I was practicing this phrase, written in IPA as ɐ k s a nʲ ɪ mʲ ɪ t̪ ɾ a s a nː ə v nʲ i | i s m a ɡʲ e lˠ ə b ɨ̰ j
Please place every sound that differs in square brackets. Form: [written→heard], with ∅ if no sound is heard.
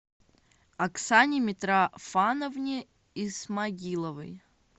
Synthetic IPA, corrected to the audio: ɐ k s a nʲ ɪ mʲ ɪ t̪ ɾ a [s→f] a [nː→n] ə v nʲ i | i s m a ɡʲ [e→i] lˠ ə [b→v] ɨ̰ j